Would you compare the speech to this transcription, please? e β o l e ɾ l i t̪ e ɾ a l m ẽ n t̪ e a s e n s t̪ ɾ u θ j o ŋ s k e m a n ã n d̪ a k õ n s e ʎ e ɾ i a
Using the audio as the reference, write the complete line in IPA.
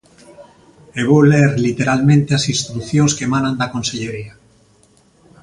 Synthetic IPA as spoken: e β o l e ɾ l i t̪ e ɾ a l m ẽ n t̪ e a s i n s t̪ ɾ u θ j o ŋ s k e m a n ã n d̪ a k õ n s e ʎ e ɾ i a